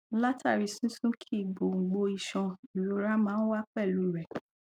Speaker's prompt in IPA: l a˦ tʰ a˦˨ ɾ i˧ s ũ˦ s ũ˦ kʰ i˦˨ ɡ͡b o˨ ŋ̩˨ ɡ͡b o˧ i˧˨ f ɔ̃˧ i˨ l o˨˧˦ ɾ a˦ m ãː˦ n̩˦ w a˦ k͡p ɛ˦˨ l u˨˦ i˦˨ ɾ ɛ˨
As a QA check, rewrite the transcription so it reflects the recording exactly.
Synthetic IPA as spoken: l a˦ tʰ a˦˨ ɾ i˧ s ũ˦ s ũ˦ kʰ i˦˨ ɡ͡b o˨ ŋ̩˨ ɡ͡b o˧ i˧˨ ʃ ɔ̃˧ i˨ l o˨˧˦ ɾ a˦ m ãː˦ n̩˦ w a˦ k͡p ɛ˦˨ l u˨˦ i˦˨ ɾ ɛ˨

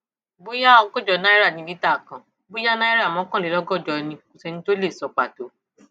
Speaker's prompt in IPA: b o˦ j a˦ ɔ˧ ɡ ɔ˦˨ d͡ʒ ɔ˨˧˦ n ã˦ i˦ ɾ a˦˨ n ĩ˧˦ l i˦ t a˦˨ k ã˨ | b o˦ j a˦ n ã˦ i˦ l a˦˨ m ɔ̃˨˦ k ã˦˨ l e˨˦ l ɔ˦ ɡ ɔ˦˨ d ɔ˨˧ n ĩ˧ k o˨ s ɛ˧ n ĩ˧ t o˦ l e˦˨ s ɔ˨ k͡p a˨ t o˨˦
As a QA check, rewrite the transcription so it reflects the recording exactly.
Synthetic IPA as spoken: b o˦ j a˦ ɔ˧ ɡ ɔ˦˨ d͡ʒ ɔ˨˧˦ n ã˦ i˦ ɾ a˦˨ n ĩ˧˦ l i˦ t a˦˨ k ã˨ | b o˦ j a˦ n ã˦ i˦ ɾ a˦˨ m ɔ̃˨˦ k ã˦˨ l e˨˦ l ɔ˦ ɡ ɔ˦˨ d͡ʒ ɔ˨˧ n ĩ˧ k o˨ s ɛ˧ n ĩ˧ t o˦ l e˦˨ s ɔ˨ k͡p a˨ t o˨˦

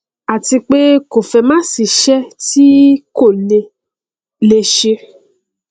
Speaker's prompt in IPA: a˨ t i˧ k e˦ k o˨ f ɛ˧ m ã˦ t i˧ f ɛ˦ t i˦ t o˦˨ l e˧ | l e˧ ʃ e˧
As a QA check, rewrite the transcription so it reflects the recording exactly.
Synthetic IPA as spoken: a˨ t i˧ k͡p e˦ k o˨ f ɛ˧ m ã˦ s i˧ ʃ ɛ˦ t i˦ k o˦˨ l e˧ | l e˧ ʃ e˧

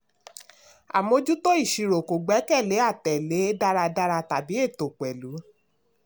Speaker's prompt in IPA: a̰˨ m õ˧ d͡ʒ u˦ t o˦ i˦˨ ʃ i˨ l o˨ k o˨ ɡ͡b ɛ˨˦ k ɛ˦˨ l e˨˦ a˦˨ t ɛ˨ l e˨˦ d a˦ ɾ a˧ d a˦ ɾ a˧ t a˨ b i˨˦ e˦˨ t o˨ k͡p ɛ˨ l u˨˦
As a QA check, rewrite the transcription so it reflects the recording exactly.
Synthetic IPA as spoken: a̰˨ m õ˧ d͡ʒ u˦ t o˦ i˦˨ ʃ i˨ ɾ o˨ k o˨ ɡ͡b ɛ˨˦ k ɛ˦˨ l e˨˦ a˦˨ t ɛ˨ l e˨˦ d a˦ ɾ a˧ d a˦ ɾ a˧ t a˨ b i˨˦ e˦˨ t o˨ k͡p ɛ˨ l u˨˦

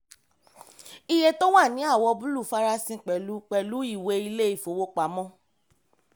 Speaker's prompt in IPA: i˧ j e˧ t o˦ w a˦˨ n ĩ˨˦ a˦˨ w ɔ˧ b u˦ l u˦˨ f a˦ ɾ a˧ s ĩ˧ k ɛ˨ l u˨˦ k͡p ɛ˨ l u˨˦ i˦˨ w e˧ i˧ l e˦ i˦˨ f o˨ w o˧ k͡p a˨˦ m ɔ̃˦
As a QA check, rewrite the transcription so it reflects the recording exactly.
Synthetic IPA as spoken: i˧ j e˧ t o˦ w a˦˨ n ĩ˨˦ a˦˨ w ɔ˧ b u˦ l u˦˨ f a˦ ɾ a˧ s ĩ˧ k͡p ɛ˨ l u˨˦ k͡p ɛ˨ l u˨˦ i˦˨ w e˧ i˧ l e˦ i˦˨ f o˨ w o˧ k͡p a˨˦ m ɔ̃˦

